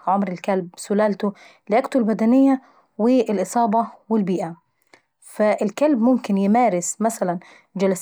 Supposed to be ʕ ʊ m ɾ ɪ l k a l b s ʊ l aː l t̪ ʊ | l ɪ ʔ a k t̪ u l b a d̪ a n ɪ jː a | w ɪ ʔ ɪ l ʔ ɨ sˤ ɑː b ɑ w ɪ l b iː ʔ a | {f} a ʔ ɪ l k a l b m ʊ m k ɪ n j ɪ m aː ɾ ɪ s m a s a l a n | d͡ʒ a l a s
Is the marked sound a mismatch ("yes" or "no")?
no